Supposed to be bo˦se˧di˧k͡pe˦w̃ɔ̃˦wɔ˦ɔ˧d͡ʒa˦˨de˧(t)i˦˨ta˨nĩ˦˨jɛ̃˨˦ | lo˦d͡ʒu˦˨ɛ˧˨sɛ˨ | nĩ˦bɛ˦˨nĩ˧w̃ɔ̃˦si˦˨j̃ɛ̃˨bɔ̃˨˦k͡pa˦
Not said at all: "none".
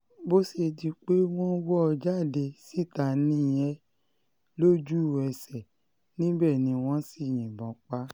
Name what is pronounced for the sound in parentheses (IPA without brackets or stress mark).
s